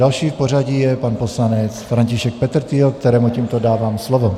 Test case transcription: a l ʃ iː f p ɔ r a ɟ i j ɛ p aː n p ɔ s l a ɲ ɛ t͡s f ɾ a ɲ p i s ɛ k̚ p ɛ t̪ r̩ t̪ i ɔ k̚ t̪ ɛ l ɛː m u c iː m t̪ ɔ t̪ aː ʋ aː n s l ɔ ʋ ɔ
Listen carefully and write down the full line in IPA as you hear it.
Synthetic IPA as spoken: a l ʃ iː f p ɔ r a ɟ i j ɛ p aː n p ɔ s l a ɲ ɛ t͡s f ɾ a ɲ c i ʃ ɛ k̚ p ɛ t̪ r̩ t̪ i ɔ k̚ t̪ ɛ ɾ ɛː m u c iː m t̪ ɔ d̪ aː ʋ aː m s l ɔ ʋ ɔ

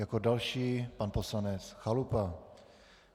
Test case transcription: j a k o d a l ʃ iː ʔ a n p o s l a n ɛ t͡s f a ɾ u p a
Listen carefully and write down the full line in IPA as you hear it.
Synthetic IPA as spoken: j a k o d a l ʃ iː p a n p o s l a n ɛ t͡s x a l u p a

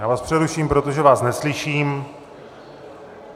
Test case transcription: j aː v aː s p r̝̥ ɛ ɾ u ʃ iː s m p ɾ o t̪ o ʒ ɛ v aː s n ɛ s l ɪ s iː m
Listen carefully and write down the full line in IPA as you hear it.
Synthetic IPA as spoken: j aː v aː s p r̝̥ ɛ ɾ u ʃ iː m p ɾ o t̪ o ʒ ɛ v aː s n ɛ s l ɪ ʃ iː m

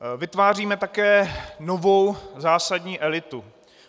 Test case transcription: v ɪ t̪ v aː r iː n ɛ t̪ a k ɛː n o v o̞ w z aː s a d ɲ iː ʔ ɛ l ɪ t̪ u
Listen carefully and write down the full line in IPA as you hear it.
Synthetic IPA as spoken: v ɪ t̪ v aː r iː m ɛ t̪ a k ɛː n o v o̞ w z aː s a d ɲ iː ʔ ɛ l ɪ t̪ u

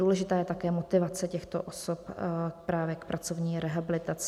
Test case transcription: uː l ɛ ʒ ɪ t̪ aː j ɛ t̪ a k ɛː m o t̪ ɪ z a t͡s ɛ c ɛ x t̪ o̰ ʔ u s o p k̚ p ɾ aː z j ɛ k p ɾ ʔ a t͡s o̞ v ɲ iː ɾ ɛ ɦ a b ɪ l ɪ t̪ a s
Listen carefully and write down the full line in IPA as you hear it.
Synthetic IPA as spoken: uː l ɛ ʒ ɪ t̪ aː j ɛ t̪ a k ɛː m o t̪ ɪ v a t͡s ɛ c ɛ x t̪ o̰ ʔ o s o p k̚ p ɾ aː v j ɛ k p ɾ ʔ a t͡s o̞ v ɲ iː ɾ ɛ ɦ a b ɪ l ɪ t̪ a t͡s

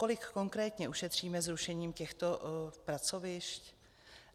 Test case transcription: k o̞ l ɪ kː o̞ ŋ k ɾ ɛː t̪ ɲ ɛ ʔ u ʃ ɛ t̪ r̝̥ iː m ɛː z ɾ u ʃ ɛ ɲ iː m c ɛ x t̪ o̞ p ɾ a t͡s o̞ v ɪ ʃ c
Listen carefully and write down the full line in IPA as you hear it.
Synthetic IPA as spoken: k o̞ l ɪ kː o̞ ŋ k ɾ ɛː t̪ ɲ ɛ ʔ u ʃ ɛ t̪ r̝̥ iː m ɛ z ɾ u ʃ ɛ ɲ iː m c ɛ x t̪ o̞ p ɾ a t͡s o̞ v ɪ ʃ c

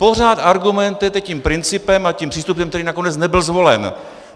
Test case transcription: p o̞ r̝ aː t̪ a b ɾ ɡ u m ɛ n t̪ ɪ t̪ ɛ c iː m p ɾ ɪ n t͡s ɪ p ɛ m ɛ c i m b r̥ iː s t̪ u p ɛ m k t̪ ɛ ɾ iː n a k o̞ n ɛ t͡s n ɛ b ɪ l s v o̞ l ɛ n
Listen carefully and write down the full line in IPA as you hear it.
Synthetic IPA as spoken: p o̞ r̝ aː t̪ a ɾ ɡ u m ɛ n t̪ ɪ t̪ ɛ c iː m p ɾ ɪ n t͡s ɪ p ɛ m a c i m p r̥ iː s t̪ u p ɛ m k t̪ ɛ ɾ iː n a k o̞ n ɛ t͡s n ɛ b ɪ l z v o̞ l ɛ n

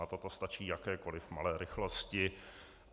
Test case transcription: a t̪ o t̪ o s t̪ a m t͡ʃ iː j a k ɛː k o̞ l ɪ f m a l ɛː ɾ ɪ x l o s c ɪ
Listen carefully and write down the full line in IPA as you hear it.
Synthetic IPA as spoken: a t̪ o t̪ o s t̪ a t͡ʃ iː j a k ɛː k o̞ l ɪ f m a l ɛː ɾ ɪ x l o s c ɪ

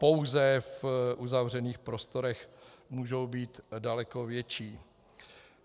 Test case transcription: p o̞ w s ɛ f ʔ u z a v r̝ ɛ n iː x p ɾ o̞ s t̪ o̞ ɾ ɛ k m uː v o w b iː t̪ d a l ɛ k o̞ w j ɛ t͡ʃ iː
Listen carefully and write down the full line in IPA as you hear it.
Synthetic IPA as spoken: p o̞ w z ɛ f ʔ u z a v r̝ ɛ n iː x p ɾ o̞ s t̪ o̞ ɾ ɛ x m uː ʒ o w b iː t̪ d a l ɛ k o̞ v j ɛ t͡ʃ iː

